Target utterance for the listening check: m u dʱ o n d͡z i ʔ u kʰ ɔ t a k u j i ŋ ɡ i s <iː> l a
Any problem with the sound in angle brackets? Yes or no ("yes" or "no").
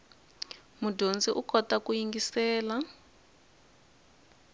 yes